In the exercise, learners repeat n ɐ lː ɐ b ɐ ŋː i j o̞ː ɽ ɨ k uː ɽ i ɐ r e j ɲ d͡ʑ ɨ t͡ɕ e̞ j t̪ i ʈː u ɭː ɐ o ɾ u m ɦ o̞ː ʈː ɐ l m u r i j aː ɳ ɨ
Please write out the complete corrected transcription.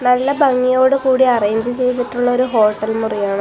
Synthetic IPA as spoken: n ɐ lː ɐ b ɐ ŋː i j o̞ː ɽ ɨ k uː ɽ i ɐ r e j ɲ d͡ʑ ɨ t͡ɕ e̞ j t̪ i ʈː u ɭː ɐ o ɾ u ɦ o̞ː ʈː ɐ l m u r i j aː ɳ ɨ